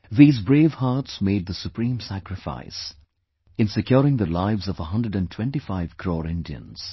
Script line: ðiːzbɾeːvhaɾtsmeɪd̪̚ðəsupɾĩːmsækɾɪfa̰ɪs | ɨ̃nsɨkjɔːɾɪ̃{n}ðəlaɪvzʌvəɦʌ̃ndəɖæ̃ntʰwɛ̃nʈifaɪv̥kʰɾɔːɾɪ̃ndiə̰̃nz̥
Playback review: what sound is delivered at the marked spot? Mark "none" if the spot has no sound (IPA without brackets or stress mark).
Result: ŋ